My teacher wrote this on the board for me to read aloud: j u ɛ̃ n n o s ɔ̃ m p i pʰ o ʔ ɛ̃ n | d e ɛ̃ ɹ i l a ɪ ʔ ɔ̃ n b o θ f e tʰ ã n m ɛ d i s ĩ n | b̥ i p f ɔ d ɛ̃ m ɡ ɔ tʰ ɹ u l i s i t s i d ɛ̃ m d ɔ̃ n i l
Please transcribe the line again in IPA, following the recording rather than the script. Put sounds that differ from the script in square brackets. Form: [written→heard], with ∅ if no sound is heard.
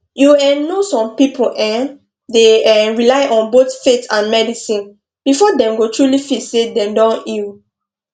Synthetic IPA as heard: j u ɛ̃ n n o s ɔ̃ m p i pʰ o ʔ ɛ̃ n | d e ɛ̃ ɹ i l a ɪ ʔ ɔ̃ n b o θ f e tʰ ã n m ɛ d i s ĩ n | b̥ i [p→∅] f ɔ d ɛ̃ m ɡ [ɔ→o] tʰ ɹ u l i [s→f] i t s [i→e] d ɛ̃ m d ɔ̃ n i l